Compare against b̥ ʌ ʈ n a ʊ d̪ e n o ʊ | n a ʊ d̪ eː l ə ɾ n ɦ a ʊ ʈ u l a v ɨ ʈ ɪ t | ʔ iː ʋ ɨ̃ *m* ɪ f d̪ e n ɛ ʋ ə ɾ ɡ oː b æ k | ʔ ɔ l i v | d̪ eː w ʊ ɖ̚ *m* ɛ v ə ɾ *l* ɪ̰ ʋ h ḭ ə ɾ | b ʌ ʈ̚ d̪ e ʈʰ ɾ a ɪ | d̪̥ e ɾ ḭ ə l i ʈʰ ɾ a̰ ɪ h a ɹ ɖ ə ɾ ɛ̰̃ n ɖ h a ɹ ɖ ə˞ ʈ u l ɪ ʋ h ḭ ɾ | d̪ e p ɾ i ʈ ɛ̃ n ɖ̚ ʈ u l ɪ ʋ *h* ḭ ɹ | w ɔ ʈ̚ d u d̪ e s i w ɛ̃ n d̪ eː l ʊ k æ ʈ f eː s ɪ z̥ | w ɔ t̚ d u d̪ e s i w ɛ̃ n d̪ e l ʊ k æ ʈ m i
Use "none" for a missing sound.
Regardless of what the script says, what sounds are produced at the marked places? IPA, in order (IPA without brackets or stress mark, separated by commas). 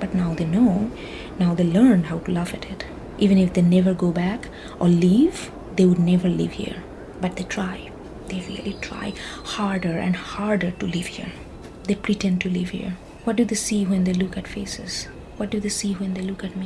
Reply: n, n, l, h